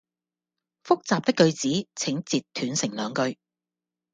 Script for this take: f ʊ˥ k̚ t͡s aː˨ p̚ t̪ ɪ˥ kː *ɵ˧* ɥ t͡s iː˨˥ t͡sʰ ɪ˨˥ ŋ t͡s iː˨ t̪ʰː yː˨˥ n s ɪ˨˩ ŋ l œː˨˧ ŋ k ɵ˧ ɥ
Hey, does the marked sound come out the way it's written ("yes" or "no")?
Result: yes